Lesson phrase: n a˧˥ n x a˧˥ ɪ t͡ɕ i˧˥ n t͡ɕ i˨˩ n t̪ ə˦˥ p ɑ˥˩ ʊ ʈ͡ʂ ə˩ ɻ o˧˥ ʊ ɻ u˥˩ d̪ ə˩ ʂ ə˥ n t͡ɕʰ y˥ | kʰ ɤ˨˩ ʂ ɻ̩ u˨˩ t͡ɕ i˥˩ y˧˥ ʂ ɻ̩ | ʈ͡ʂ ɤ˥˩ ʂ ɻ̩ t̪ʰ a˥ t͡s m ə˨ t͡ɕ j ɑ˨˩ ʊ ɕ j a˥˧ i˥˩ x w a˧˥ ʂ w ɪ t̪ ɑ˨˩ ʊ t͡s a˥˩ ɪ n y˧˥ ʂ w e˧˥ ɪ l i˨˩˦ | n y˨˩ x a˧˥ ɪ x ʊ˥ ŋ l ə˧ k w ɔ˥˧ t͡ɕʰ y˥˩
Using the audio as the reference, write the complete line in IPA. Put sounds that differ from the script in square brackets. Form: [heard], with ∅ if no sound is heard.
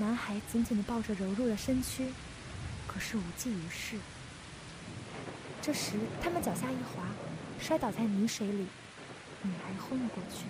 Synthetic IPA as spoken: n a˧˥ n x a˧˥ ɪ t͡ɕ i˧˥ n t͡ɕ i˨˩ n [d̪] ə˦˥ p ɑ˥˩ ʊ ʈ͡ʂ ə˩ ɻ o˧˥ ʊ ɻ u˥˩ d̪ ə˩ ʂ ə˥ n t͡ɕʰ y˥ | kʰ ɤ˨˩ ʂ ɻ̩ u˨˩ t͡ɕ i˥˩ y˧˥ ʂ ɻ̩ | ʈ͡ʂ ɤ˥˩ ʂ ɻ̩ t̪ʰ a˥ [∅] m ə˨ t͡ɕ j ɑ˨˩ ʊ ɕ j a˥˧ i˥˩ x w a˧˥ ʂ w ɪ t̪ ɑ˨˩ ʊ t͡s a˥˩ ɪ n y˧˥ ʂ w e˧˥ ɪ l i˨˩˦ | n [i˨˩] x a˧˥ ɪ x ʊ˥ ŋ l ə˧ k w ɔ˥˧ t͡ɕʰ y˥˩